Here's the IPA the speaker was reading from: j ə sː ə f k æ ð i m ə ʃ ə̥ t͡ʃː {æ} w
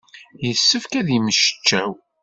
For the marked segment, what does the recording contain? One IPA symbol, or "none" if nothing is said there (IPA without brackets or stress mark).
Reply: æ